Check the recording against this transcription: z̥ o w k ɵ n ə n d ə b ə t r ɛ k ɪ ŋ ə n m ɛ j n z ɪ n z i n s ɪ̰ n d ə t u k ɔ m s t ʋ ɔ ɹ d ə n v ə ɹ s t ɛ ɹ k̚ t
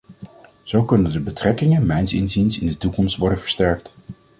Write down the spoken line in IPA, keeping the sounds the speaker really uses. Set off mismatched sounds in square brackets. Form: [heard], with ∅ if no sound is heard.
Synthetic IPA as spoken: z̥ o w k ɵ n ə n d ə b ə t r ɛ k ɪ ŋ ə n m ɛ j n [s] ɪ n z i n s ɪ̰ n d ə t u k ɔ m s t ʋ ɔ ɹ d ə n v ə ɹ s t ɛ ɹ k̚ t